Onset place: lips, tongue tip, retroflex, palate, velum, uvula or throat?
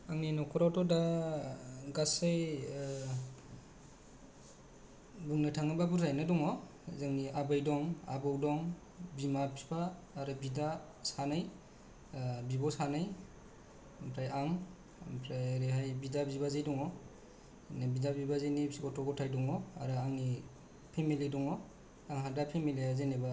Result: velum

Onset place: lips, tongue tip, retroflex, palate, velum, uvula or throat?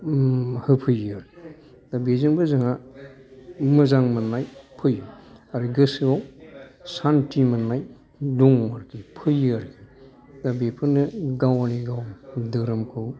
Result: throat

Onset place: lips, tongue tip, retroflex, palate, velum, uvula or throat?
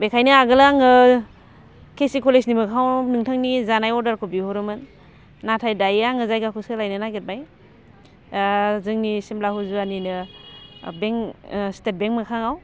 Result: lips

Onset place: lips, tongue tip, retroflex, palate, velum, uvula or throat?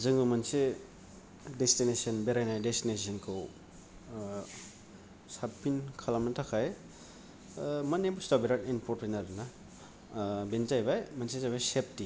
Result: tongue tip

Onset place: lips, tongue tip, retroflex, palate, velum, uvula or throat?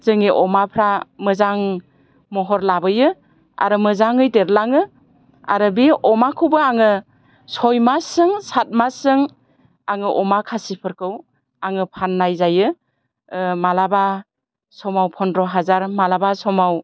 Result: tongue tip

